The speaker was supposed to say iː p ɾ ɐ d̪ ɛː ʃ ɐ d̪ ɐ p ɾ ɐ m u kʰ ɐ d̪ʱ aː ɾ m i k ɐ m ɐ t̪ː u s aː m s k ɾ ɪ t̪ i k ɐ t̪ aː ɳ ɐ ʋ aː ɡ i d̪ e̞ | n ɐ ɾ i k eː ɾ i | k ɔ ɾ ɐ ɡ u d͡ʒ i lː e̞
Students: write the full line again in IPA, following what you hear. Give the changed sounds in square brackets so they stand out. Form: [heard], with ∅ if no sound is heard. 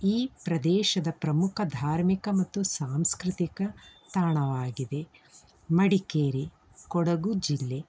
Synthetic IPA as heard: iː p ɾ ɐ d̪ ɛː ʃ ɐ d̪ ɐ p ɾ ɐ m u kʰ ɐ d̪ʱ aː ɾ m i k ɐ m ɐ t̪ː u s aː m s k ɾ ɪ t̪ i k ɐ t̪ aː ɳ ɐ ʋ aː ɡ i d̪ e̞ | [m] ɐ [ɽ] i k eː ɾ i | k ɔ [ɽ] ɐ ɡ u d͡ʒ i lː e̞